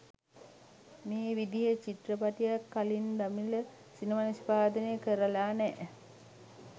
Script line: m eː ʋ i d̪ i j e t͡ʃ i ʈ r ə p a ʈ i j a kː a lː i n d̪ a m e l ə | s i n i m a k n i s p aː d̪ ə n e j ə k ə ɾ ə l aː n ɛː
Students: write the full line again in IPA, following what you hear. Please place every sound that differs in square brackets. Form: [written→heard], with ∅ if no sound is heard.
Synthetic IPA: m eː ʋ i d̪ i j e t͡ʃ i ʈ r ə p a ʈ i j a kː a [lː→l] i n d̪ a m [e→i] l ə | s i n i m a [k→∅] n i s p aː d̪ ə n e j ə k ə ɾ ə l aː n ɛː